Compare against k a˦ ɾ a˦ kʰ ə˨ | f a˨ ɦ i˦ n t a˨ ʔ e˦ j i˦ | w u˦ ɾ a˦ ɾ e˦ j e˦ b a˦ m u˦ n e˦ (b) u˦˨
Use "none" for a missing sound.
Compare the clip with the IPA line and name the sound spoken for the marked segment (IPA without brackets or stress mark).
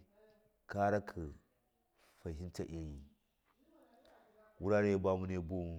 b